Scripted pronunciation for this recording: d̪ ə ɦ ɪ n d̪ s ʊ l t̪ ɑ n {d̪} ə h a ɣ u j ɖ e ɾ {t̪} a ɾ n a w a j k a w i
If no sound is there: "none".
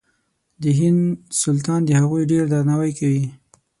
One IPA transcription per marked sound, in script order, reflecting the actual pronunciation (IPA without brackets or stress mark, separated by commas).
d̪, d̪